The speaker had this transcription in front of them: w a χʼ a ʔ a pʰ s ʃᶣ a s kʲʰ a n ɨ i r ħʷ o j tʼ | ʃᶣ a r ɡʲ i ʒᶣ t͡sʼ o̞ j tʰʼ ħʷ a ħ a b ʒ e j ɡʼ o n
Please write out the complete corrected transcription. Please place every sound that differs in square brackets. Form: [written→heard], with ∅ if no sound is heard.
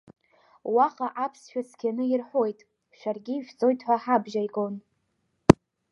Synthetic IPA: w a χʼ a ʔ a pʰ s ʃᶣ a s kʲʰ a n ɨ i r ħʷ o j tʼ | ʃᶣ a r ɡʲ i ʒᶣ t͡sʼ o̞ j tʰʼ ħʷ a ħ a b ʒ [e→a] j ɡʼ o n